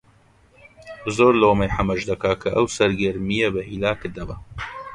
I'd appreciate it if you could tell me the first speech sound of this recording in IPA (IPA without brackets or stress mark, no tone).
z